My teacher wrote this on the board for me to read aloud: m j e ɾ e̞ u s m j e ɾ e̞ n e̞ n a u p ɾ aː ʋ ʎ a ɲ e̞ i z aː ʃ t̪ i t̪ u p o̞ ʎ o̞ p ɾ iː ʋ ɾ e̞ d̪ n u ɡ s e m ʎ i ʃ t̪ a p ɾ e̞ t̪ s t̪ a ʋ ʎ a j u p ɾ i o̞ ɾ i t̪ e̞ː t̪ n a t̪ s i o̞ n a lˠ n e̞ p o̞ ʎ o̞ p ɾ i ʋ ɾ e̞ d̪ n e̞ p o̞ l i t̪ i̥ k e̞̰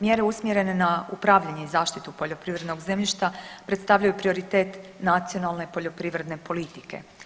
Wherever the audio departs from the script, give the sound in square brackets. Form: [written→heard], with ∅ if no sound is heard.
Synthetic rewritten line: m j e ɾ e̞ u s m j e ɾ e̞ n e̞ n a u p ɾ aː ʋ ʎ a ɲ e̞ i z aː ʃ t̪ i t̪ u p o̞ ʎ o̞ p ɾ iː ʋ ɾ e̞ d̪ n [u→o] ɡ [s→z] e m ʎ i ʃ t̪ a p ɾ e̞ t̪ s t̪ a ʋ ʎ a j u p ɾ i o̞ ɾ i t̪ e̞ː t̪ n a t̪ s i o̞ n a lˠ n e̞ p o̞ ʎ o̞ p ɾ i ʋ ɾ e̞ d̪ n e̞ p o̞ l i t̪ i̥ k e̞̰

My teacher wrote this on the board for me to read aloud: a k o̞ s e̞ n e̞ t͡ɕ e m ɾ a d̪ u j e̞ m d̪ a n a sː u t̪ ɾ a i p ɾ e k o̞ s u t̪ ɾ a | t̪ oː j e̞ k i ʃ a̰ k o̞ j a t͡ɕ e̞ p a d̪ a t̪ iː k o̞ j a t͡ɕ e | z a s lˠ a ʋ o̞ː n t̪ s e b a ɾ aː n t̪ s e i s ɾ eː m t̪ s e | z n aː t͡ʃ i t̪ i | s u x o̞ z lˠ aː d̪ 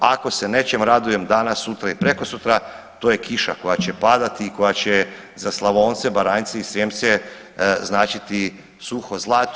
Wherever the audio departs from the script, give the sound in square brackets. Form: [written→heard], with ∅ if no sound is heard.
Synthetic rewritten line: a k o̞ s e̞ n e̞ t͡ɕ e m ɾ a d̪ u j e̞ m d̪ a n a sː u t̪ ɾ a i p ɾ e k o̞ s u t̪ ɾ a | t̪ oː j e̞ k i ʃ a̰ k o̞ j a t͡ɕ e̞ p a d̪ a t̪ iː k o̞ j a t͡ɕ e | z a s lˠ a ʋ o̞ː n t̪ s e b a ɾ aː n t̪ s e i s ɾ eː m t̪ s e | z n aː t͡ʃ i t̪ i | s u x o̞ z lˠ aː [d̪→t̪]

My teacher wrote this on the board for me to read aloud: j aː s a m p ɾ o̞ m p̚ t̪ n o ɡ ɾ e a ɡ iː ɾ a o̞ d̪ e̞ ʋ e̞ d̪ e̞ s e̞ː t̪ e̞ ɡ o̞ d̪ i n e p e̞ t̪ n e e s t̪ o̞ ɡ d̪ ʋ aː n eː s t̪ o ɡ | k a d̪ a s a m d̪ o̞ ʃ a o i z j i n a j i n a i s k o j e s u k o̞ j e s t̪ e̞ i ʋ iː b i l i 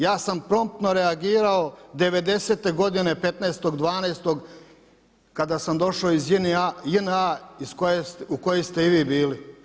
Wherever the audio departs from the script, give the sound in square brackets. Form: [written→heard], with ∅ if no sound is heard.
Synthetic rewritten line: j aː s a m p ɾ o̞ m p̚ t̪ n o [ɡ→∅] ɾ e a ɡ iː ɾ a o̞ d̪ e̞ ʋ e̞ d̪ e̞ s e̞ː t̪ e̞ ɡ o̞ d̪ i n e p e̞ t̪ n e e s t̪ o̞ ɡ d̪ ʋ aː n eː s t̪ o ɡ | k a d̪ a s a m d̪ o̞ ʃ a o i z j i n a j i n a i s k o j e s u k o̞ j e s t̪ e̞ i ʋ iː b [i→iː] l i

